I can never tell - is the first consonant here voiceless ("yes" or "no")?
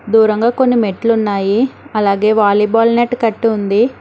no